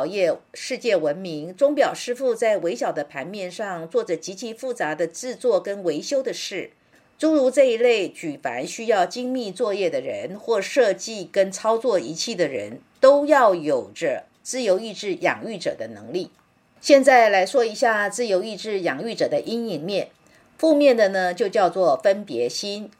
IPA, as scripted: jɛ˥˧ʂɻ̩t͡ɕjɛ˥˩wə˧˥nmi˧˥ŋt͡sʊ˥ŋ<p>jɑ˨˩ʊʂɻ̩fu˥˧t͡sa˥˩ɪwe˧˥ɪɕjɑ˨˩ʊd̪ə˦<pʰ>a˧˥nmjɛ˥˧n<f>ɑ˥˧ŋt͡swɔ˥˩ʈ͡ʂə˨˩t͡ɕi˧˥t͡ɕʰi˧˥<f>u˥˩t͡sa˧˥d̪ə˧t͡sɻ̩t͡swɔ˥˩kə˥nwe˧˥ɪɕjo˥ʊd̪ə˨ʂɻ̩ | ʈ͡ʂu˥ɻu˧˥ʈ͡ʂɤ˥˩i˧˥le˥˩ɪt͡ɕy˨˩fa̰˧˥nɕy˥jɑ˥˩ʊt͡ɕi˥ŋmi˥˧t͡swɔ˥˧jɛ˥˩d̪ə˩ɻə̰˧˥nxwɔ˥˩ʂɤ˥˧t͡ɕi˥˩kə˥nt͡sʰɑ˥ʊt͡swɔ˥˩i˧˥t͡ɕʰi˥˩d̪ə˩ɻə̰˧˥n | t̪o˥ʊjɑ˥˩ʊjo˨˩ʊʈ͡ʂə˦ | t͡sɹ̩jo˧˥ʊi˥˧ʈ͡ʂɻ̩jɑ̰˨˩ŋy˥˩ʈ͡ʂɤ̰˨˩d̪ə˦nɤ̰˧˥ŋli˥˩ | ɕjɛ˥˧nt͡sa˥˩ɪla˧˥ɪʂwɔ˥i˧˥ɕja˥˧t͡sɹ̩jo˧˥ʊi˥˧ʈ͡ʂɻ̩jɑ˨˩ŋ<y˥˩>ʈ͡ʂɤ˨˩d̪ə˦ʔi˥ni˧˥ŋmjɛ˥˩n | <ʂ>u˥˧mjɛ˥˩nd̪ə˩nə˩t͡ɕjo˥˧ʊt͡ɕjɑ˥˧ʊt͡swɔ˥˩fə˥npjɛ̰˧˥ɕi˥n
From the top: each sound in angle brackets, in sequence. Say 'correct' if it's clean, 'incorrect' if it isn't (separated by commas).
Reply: correct, correct, incorrect, correct, correct, incorrect